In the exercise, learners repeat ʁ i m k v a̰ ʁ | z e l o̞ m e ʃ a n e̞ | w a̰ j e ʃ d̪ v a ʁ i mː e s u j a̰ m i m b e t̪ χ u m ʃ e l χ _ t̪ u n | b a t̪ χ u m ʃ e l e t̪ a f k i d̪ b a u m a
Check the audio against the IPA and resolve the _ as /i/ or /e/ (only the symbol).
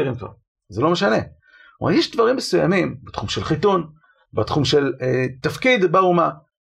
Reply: i